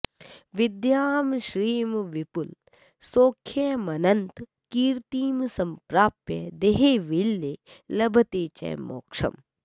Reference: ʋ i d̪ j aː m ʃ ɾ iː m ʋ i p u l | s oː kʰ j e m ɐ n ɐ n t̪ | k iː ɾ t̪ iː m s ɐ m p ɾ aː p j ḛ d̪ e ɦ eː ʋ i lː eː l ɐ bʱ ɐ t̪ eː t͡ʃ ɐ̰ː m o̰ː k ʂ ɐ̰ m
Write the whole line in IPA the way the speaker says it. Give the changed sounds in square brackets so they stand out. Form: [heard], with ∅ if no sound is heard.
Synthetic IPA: ʋ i d̪ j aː m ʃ ɾ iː m ʋ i p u l | s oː kʰ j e m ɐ n ɐ n t̪ | k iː ɾ t̪ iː m s ɐ m p ɾ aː p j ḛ d̪ e ɦ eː ʋ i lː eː l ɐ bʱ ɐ t̪ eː t͡ʃ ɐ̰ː m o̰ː k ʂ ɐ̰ m